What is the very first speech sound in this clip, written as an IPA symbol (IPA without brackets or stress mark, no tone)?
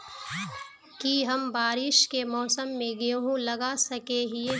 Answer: k